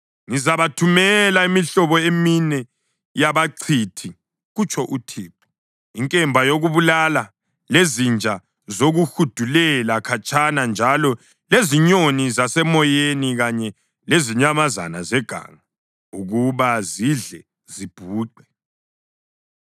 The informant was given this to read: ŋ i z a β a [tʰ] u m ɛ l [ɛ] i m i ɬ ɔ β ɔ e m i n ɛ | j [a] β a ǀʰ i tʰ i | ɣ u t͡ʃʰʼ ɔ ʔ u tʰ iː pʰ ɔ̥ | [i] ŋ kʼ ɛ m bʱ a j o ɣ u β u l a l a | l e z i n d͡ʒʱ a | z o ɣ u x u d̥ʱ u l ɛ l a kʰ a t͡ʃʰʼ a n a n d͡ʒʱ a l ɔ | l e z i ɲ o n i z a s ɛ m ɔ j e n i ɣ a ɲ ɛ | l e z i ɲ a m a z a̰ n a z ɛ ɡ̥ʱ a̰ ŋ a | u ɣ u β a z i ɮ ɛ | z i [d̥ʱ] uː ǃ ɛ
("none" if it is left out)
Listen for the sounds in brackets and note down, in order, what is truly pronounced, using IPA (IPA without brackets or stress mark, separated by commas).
tʰ, a, a, i, b̥ʱ